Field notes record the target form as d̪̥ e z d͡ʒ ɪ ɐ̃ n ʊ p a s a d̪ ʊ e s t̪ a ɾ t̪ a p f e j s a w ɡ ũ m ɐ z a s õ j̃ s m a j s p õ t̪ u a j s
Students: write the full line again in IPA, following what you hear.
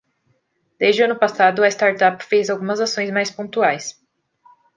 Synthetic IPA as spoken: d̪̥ e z d͡ʒ ɪ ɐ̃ n ʊ p a s a d̪ ʊ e s t̪ a ɾ t̪ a p f e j z a w ɡ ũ m ɐ z a s õ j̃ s m a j s p õ t̪ u a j s